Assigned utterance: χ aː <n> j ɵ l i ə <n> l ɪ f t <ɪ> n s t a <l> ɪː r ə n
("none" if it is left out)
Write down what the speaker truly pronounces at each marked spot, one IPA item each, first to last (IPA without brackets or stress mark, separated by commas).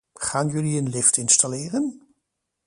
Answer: n, n, ɪ, l